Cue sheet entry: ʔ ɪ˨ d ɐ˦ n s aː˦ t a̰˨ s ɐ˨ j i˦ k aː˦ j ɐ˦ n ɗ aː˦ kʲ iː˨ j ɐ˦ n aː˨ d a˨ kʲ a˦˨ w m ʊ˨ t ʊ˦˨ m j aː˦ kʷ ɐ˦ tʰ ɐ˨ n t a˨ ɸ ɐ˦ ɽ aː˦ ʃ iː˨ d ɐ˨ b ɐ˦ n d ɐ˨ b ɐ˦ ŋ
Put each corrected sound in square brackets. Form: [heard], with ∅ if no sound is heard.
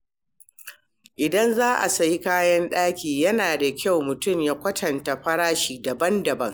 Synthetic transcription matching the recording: ʔ ɪ˨ d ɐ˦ n [z] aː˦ [ʔ] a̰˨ s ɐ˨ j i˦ k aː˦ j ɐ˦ n ɗ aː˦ kʲ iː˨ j ɐ˦ n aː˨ d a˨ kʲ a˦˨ w m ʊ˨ t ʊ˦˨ m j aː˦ kʷ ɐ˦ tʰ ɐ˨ n t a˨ ɸ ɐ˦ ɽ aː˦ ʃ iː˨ d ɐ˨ b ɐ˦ n d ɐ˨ b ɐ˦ ŋ